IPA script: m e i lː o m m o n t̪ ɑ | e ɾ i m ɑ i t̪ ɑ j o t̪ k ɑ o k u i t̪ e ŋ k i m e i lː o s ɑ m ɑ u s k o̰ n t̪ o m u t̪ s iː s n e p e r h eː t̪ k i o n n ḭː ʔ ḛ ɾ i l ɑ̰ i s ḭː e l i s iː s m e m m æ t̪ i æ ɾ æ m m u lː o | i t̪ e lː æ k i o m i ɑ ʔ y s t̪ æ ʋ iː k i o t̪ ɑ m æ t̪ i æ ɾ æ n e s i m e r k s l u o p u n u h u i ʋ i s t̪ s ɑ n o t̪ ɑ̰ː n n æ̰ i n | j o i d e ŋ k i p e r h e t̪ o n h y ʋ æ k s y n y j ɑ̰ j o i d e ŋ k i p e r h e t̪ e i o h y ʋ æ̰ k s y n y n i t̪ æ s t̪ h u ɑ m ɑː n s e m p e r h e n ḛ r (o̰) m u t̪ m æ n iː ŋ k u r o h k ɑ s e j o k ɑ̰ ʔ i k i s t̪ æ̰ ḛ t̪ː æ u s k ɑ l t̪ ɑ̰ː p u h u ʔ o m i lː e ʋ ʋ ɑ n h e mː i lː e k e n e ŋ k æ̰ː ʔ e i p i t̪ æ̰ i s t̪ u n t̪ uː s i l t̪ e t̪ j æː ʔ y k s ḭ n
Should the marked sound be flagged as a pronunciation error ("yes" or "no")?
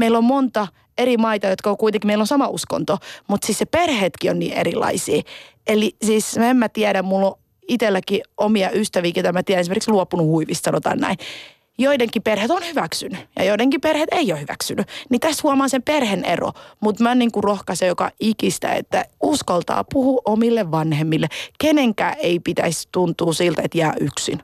no